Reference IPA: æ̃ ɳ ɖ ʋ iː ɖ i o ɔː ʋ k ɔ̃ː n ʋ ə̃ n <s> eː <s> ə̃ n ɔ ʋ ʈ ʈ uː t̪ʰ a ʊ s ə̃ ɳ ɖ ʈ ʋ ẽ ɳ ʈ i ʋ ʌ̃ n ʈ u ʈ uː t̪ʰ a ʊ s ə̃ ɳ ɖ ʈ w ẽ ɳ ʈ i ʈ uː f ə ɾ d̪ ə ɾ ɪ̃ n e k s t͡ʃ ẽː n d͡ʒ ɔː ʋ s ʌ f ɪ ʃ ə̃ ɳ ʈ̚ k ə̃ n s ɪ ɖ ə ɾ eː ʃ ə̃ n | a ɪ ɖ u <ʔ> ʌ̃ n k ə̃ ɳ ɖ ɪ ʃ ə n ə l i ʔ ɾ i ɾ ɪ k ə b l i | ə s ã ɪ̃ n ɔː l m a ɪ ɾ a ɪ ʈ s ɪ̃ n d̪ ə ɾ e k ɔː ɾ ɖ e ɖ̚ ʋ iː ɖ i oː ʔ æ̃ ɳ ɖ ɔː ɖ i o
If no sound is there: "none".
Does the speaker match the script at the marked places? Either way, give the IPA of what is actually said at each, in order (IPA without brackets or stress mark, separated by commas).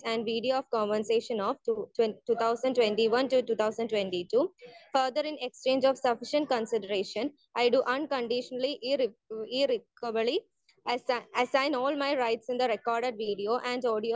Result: s, ʃ, ʔ